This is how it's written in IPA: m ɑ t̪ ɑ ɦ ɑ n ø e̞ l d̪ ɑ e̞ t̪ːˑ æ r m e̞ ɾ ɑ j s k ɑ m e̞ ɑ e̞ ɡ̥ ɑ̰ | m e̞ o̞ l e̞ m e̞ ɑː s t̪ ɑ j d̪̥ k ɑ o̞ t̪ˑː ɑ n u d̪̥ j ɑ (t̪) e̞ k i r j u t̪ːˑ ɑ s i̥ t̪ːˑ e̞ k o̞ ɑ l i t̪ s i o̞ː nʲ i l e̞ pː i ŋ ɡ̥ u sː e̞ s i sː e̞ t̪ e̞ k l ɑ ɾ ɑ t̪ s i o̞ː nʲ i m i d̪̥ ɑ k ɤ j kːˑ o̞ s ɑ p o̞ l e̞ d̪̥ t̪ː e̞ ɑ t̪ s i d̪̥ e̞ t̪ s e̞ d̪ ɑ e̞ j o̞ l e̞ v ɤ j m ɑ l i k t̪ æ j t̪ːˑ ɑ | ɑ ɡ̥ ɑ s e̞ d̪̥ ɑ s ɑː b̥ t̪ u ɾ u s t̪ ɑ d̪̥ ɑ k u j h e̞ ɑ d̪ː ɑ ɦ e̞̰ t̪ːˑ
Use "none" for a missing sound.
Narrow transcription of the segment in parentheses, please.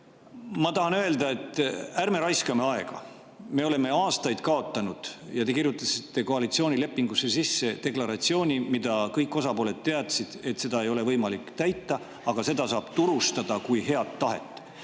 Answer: t̪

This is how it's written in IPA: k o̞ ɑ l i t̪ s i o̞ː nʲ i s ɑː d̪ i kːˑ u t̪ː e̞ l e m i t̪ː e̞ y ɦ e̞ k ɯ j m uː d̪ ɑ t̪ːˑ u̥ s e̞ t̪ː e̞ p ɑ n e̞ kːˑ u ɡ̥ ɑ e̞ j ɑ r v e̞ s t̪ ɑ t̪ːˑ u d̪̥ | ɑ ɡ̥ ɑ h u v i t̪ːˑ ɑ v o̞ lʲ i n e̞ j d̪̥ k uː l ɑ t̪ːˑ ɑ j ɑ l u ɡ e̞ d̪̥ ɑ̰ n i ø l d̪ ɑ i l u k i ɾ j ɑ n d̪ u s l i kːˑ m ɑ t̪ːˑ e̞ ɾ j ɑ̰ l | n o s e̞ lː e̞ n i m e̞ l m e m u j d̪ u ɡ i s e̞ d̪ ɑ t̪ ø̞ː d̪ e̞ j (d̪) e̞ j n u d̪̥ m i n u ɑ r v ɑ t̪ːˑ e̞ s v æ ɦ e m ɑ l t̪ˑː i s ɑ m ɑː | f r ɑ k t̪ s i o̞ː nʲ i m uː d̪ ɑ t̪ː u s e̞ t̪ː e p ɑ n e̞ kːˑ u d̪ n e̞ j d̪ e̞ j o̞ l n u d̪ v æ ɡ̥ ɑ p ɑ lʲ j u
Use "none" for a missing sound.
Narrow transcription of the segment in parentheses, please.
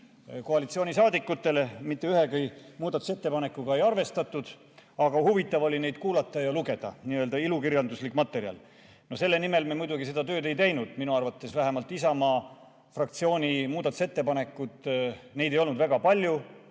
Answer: t̪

